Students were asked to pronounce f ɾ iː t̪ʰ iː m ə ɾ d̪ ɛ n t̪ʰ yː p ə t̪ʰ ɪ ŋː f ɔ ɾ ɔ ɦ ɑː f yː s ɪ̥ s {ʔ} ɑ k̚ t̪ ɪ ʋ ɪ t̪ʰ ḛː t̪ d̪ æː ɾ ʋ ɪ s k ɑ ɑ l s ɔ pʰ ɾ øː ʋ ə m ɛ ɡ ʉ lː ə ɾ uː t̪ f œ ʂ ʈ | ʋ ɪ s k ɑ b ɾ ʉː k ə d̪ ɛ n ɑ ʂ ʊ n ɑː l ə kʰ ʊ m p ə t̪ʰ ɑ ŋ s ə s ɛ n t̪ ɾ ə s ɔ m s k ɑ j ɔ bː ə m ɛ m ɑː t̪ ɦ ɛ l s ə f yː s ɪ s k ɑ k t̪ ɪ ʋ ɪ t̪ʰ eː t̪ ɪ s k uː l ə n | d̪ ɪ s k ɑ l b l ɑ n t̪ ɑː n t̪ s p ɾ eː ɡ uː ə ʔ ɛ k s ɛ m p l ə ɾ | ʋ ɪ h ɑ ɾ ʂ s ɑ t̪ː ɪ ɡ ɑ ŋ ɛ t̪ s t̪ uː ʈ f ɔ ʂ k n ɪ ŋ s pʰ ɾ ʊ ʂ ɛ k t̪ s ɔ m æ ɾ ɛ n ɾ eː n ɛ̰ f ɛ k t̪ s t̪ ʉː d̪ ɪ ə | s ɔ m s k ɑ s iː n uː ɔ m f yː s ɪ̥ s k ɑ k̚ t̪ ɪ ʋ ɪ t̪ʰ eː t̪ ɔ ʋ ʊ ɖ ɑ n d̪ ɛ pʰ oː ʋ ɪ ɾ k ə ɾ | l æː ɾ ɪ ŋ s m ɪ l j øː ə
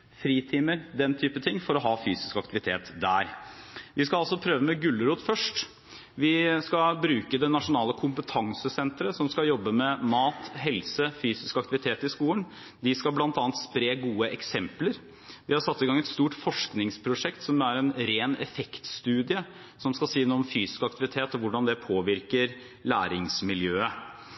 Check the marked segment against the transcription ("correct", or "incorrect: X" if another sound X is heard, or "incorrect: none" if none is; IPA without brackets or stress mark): incorrect: k